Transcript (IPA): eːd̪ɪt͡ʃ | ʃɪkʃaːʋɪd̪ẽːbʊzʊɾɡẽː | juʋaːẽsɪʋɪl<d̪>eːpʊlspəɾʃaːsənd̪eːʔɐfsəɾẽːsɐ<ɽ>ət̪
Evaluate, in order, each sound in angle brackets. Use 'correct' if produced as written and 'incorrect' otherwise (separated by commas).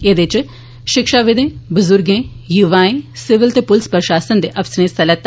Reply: incorrect, incorrect